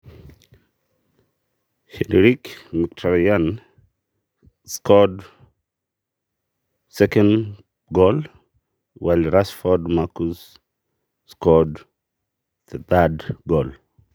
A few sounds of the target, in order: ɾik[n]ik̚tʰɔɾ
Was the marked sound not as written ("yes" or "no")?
yes